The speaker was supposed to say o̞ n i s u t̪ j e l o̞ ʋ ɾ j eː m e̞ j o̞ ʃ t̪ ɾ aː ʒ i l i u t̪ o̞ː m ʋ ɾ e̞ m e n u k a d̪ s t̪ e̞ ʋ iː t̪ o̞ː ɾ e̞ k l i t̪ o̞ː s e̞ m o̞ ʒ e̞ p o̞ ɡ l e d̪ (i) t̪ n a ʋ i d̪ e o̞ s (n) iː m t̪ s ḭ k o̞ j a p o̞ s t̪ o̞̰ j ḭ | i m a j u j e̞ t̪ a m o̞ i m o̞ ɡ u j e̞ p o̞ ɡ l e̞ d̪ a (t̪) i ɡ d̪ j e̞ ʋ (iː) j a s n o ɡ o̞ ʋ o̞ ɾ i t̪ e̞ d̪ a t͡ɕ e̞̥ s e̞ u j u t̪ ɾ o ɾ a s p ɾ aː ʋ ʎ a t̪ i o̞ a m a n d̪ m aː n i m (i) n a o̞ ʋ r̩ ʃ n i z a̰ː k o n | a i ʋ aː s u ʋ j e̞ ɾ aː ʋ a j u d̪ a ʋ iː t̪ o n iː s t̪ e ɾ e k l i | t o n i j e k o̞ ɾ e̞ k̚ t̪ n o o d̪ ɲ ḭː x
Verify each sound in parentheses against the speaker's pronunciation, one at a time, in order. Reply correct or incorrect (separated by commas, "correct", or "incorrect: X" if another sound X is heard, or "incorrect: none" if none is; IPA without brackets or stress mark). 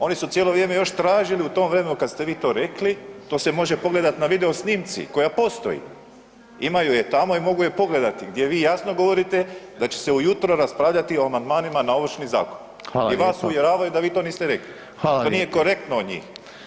incorrect: a, correct, correct, correct, incorrect: a